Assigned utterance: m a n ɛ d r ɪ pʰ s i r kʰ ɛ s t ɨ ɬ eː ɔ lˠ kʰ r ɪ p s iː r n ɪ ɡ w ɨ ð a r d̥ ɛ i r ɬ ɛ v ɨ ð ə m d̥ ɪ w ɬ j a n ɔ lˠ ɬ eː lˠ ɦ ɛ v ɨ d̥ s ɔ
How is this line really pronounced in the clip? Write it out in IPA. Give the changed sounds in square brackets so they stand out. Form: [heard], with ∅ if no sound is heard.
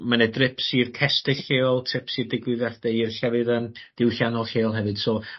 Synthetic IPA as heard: m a n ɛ d r ɪ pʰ s i r kʰ ɛ s t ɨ ɬ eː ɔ lˠ [tʰ] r ɪ p s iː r [d] ɪ ɡ w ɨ ð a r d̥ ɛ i r ɬ ɛ v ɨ ð ə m d̥ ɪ w ɬ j a n ɔ lˠ ɬ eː lˠ ɦ ɛ v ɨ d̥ s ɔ

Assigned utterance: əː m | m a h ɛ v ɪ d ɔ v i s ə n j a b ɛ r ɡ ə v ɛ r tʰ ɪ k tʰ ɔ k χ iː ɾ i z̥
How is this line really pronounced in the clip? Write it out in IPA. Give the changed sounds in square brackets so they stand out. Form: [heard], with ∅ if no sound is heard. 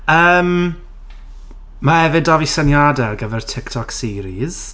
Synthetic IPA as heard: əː m | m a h ɛ v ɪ d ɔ v i s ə n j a [d] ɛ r ɡ ə v ɛ r tʰ ɪ k tʰ ɔ k [s] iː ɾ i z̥

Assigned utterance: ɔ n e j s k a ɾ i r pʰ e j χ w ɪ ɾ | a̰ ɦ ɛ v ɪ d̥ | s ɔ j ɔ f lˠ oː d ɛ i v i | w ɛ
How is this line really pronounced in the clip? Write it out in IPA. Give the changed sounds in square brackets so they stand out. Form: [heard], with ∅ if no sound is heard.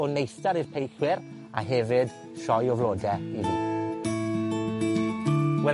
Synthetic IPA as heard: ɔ n e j s [t] a ɾ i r pʰ e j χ w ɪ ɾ | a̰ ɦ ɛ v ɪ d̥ | [ʃ] ɔ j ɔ [v] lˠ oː d ɛ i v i | w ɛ

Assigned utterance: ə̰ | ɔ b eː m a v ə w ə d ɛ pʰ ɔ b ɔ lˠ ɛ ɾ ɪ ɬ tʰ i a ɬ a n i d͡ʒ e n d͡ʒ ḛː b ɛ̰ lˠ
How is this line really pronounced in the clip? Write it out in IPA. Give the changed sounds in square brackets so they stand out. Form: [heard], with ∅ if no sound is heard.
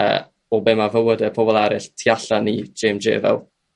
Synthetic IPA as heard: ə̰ | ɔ b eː m a v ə w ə d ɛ pʰ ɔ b ɔ lˠ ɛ ɾ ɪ ɬ tʰ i a ɬ a n i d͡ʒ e [m] d͡ʒ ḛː [v] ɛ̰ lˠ

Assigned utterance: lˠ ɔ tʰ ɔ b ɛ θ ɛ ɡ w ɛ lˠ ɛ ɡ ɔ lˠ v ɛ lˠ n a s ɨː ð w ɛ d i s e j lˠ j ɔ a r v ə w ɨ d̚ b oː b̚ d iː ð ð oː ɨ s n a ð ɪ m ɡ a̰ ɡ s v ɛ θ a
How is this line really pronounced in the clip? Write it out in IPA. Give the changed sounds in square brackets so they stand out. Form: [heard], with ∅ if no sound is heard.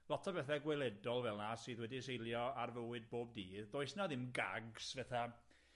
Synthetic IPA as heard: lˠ ɔ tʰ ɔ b ɛ θ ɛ ɡ w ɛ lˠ ɛ [d] ɔ lˠ v ɛ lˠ n a s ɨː ð w ɛ d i s e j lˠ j ɔ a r v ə w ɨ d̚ b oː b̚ d iː ð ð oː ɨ s n a ð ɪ m ɡ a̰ ɡ s v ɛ θ a

